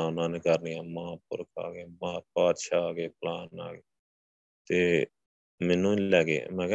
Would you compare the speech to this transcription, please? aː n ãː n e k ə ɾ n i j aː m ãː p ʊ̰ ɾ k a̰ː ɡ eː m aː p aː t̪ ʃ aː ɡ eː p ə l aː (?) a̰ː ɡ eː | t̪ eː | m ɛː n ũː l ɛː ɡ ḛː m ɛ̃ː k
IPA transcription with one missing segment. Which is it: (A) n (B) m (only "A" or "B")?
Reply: A